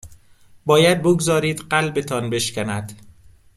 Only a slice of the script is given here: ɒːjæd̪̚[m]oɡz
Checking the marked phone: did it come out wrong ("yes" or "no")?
yes